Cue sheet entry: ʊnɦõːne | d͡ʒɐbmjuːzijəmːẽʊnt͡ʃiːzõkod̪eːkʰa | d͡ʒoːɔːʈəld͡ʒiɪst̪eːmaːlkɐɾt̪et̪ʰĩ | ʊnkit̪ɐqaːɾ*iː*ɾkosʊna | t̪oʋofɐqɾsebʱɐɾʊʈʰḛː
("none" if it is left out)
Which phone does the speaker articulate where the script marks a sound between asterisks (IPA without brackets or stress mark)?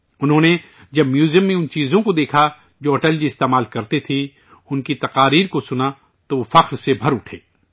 iː